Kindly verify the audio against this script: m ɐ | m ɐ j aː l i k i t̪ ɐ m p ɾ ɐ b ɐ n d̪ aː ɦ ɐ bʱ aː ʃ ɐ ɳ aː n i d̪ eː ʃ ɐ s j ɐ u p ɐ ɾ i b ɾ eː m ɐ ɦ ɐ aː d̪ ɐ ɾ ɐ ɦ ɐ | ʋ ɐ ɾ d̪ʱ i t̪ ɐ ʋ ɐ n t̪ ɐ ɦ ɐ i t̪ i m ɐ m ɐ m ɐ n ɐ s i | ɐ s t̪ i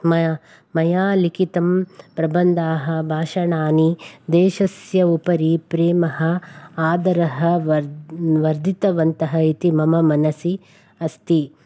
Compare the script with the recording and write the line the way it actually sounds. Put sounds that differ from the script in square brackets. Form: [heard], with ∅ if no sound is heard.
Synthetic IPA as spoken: m ɐ | m ɐ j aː l i k i t̪ ɐ m p ɾ ɐ b ɐ n d̪ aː ɦ ɐ bʱ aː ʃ ɐ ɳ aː n i d̪ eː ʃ ɐ s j ɐ u p ɐ ɾ i [p] ɾ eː m ɐ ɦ ɐ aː d̪ ɐ ɾ ɐ ɦ ɐ | ʋ ɐ ɾ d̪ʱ i t̪ ɐ ʋ ɐ n t̪ ɐ ɦ ɐ i t̪ i m ɐ m ɐ m ɐ n ɐ s i | ɐ s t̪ i